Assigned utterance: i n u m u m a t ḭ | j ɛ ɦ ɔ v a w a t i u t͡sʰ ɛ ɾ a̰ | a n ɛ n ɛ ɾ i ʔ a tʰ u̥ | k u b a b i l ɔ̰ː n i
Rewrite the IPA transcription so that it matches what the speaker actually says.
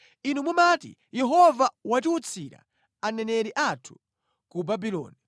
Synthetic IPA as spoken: i n u m u m a t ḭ | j ɛ ɦ ɔ v a w a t i u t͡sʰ i ɾ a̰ | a n ɛ n ɛ ɾ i ʔ a tʰ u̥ | k u b a b i l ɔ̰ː n i